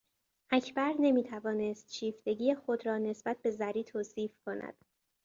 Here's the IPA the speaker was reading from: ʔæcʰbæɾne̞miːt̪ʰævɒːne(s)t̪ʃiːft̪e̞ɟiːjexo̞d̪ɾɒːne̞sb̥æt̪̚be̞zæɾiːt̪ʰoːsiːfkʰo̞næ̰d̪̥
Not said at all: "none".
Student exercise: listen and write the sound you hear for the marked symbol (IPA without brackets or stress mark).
s